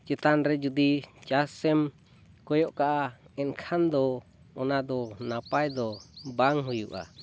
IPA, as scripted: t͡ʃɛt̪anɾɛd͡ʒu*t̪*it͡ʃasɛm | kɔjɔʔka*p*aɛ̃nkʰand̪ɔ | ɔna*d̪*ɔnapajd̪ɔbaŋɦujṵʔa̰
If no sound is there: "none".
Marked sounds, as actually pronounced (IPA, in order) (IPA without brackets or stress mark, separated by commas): d̪, ʔ, d̪